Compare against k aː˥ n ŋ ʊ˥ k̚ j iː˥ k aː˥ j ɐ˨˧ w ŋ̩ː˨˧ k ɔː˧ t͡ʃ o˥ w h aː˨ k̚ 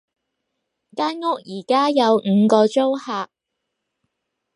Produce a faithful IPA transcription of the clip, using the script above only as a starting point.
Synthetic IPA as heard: k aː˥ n ŋ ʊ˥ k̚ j iː˨˩ k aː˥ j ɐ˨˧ w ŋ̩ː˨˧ k ɔː˧ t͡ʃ o˥ w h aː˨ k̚